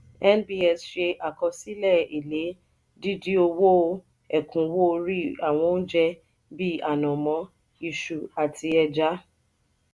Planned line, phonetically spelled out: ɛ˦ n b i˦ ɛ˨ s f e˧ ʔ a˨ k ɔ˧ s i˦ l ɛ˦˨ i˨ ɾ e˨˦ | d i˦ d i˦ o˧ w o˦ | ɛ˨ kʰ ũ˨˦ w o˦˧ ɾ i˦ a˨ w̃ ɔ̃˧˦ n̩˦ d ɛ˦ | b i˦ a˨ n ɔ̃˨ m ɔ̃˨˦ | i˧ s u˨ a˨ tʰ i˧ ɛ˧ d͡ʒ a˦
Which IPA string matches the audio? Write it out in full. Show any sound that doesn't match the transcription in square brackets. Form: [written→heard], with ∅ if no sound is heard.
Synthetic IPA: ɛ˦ n b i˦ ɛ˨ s [f→ʃ] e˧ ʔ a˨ k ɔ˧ s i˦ l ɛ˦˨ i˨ [ɾ→l] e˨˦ | d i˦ d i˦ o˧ w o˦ | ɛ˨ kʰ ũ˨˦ w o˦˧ ɾ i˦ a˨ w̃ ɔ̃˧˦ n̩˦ [d→d͡ʒ] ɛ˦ | b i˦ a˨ n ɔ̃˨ m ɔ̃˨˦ | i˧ [s→ʃ] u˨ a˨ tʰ i˧ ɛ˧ d͡ʒ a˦